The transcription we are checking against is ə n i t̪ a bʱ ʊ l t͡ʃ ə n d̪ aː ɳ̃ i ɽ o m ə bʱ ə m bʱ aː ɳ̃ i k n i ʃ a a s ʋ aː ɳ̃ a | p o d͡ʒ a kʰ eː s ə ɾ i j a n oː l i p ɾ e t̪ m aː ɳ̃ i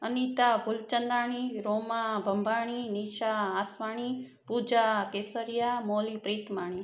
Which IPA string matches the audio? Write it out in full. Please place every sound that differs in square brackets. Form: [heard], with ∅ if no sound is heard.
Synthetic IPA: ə n i t̪ a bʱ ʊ l t͡ʃ ə n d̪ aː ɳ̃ i [ɾ] o m [a] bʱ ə m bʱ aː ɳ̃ i [∅] n i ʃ a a s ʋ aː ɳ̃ [i] | p [u] d͡ʒ a [k] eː s ə ɾ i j a [m] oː l i p ɾ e t̪ m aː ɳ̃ i